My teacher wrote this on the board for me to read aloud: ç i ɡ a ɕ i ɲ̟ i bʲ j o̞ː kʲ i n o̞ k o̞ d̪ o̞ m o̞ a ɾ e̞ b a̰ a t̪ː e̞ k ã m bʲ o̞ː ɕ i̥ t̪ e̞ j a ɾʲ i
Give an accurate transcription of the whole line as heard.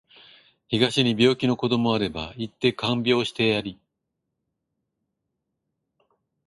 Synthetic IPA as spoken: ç i ɡ a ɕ i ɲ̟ i bʲ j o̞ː kʲ i n o̞ k o̞ d̪ o̞ m o̞ a ɾ e̞ b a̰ i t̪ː e̞ k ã m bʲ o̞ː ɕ i̥ t̪ e̞ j a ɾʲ i